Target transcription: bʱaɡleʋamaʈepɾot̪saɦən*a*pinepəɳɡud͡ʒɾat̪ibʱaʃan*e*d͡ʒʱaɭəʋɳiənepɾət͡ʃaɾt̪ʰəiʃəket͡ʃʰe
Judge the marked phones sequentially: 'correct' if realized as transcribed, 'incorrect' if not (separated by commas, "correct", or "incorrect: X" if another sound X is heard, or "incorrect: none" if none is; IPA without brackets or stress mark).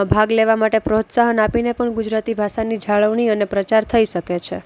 correct, incorrect: i